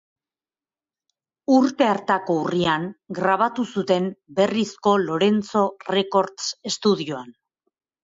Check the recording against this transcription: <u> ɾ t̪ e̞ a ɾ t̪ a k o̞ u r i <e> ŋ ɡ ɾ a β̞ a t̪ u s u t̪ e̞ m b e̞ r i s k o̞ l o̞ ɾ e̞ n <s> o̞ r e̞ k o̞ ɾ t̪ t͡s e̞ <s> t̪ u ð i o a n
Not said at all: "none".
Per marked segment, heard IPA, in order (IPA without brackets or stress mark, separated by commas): u, a, t͡s, s